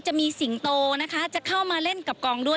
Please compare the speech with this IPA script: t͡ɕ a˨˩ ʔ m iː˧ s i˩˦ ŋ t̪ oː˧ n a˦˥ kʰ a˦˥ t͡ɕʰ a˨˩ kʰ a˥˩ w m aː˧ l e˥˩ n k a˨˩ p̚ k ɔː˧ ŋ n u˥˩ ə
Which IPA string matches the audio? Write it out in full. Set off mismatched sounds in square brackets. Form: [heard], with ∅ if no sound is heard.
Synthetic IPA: t͡ɕ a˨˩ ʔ m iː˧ s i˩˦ ŋ t̪ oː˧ n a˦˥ kʰ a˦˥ [t͡ɕ] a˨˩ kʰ a˥˩ w m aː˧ l e˥˩ n k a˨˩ p̚ k ɔː˧ ŋ [d] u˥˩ ə